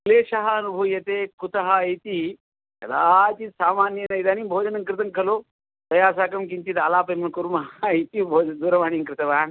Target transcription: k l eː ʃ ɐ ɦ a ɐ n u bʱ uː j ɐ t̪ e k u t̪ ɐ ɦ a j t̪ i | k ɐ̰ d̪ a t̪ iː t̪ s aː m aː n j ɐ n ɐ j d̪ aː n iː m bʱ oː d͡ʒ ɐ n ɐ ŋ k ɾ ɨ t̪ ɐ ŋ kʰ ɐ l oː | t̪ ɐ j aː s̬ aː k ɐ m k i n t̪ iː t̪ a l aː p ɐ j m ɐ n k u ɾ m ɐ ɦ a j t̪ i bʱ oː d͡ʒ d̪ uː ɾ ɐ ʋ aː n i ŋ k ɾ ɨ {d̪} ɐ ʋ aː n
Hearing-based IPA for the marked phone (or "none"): t̪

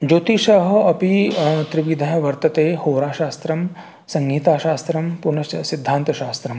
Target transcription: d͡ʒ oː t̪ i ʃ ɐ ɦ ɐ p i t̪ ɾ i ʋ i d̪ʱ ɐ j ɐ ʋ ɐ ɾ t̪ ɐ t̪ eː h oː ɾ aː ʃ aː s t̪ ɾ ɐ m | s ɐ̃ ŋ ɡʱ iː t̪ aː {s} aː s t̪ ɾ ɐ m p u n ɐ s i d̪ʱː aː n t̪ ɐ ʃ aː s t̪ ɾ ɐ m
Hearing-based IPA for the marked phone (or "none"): ʃ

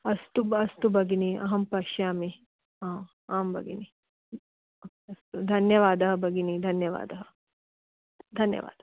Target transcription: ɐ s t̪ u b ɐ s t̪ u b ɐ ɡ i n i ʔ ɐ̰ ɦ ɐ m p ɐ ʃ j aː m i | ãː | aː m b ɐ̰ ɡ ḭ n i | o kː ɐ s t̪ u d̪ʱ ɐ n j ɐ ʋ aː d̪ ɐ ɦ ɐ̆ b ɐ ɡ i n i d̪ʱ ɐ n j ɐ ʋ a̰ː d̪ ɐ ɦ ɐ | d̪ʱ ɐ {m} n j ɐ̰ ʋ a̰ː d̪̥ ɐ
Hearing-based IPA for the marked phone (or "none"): none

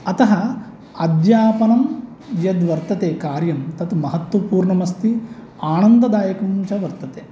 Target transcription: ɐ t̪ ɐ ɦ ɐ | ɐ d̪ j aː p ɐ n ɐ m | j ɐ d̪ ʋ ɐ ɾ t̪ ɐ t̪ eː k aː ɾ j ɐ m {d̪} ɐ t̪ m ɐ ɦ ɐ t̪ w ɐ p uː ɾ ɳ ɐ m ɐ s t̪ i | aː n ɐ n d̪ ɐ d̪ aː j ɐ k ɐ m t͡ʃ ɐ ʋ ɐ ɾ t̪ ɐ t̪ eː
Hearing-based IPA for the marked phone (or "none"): t̪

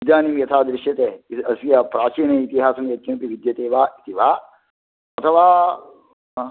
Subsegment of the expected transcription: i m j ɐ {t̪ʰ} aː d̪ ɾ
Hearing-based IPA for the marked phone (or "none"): t̪ʰ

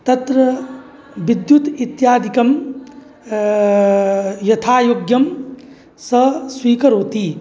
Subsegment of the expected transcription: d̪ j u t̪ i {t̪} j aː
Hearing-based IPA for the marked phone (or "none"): t̪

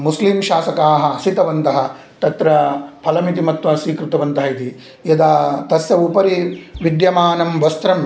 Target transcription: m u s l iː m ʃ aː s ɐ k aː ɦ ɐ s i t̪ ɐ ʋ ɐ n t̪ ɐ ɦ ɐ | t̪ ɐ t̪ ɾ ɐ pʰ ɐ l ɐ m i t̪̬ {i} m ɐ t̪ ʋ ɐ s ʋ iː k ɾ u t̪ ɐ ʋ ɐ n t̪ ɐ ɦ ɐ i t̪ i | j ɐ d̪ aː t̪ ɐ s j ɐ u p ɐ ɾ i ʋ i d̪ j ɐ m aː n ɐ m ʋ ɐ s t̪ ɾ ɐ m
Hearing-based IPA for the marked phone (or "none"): i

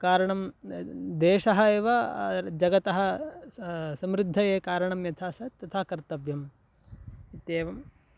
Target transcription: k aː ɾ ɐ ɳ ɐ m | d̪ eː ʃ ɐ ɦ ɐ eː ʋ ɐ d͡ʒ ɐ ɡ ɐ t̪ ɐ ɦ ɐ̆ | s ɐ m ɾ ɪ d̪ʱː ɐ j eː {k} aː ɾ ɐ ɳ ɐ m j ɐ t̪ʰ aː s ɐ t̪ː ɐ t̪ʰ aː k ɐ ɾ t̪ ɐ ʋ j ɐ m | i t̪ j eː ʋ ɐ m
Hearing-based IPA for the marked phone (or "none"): k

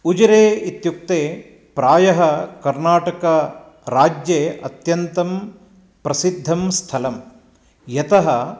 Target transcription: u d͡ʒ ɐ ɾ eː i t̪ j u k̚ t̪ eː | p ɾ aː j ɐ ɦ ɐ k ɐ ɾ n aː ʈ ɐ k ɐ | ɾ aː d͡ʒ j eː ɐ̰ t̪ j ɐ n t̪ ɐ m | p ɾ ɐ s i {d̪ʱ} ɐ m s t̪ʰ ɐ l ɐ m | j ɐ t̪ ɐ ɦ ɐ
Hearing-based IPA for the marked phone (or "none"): d̪ʱː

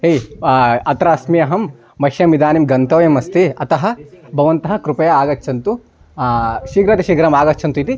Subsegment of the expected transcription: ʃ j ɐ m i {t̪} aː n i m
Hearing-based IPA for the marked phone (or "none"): d̪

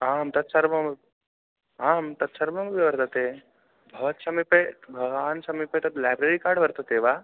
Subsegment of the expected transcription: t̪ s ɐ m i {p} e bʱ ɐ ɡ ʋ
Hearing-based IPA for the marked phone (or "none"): p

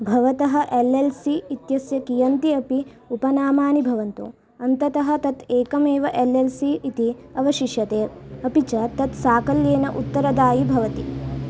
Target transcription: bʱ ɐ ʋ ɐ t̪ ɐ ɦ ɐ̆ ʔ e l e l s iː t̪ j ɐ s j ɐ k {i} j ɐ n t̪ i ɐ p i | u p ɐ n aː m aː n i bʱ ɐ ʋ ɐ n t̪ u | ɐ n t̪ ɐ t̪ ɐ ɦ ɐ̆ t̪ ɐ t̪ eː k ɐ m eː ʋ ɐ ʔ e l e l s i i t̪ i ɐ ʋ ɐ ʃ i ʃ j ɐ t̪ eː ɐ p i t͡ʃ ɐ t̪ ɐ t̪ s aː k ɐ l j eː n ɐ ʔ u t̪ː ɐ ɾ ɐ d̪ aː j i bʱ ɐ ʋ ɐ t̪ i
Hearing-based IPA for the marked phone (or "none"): i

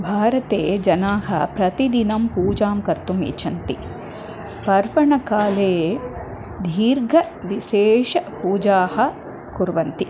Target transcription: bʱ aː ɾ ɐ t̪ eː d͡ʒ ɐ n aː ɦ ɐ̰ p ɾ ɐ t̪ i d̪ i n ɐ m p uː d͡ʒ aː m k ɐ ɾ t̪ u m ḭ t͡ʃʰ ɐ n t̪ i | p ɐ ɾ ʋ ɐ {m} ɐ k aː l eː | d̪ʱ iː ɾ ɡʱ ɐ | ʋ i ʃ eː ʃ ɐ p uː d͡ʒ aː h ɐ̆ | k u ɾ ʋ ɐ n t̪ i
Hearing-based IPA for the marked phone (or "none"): ɳ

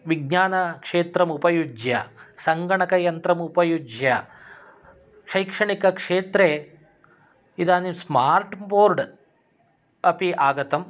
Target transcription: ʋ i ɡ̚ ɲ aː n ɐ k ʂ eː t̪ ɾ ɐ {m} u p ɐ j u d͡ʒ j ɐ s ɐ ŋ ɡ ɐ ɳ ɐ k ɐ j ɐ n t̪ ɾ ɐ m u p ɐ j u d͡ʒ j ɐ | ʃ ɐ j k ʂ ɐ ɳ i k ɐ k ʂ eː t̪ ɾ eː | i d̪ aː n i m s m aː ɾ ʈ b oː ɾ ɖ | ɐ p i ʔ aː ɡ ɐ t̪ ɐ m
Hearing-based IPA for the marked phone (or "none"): m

